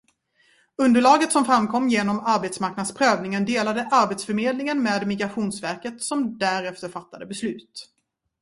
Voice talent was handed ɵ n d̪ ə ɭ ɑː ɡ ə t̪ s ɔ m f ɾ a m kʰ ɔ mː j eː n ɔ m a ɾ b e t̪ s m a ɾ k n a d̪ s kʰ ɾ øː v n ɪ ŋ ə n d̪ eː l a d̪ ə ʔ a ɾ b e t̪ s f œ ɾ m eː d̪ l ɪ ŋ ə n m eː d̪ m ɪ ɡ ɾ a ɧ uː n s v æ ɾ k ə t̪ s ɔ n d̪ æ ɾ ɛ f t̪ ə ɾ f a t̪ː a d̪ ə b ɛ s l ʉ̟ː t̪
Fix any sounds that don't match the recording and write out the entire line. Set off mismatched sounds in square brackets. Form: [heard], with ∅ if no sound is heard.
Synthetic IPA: ɵ n d̪ ə ɭ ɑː ɡ ə t̪ s ɔ m f ɾ a m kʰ ɔ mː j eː n ɔ m a ɾ b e t̪ s m a ɾ k n a d̪ s [pʰ] ɾ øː v n ɪ ŋ ə n d̪ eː l a d̪ ə ʔ a ɾ b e t̪ s f œ ɾ m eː d̪ l ɪ ŋ ə n m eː d̪ m ɪ ɡ ɾ a ɧ uː n s v æ ɾ k ə t̪ s ɔ [m] d̪ æ ɾ ɛ f t̪ ə ɾ f a t̪ː a d̪ ə b ɛ s l ʉ̟ː t̪